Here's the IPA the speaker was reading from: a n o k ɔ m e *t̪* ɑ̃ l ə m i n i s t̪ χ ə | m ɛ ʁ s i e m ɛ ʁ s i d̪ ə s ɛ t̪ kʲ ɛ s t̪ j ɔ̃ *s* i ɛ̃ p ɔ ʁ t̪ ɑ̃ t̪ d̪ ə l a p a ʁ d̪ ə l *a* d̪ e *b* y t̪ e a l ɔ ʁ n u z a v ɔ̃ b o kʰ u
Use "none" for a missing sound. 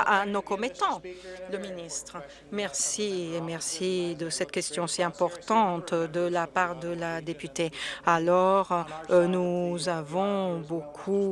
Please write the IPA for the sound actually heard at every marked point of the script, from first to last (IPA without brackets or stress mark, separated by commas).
t̪, s, a, p